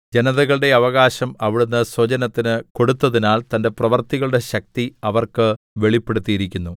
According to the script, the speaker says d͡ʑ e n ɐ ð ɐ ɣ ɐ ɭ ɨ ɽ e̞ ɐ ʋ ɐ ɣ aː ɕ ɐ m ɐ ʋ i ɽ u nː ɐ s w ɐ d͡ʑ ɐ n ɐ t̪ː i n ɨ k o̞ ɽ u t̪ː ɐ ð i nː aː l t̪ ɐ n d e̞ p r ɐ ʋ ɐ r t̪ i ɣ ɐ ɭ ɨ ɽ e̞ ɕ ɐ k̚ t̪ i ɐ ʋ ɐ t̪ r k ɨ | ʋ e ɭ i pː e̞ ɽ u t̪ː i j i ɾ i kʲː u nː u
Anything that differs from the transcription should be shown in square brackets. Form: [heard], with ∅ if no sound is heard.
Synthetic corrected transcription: d͡ʑ e n ɐ ð ɐ ɣ ɐ ɭ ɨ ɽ e̞ ɐ ʋ ɐ ɣ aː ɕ ɐ m ɐ ʋ i ɽ u nː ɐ s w ɐ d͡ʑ ɐ n ɐ t̪ː i n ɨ k o̞ ɽ u t̪ː ɐ ð i [n] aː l t̪ ɐ n d e̞ p r ɐ ʋ ɐ r t̪ i ɣ ɐ ɭ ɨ ɽ e̞ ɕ ɐ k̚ t̪ i ɐ ʋ ɐ [∅] r k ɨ | ʋ e ɭ i pː e̞ ɽ u t̪ː i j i ɾ i kʲː u nː u